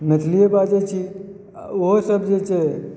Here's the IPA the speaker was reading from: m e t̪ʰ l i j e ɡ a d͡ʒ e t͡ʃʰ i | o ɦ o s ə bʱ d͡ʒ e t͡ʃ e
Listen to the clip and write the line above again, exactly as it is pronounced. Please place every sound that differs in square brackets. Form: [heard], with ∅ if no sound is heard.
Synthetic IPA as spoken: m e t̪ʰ l i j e [b] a d͡ʒ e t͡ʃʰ i | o ɦ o s ə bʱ d͡ʒ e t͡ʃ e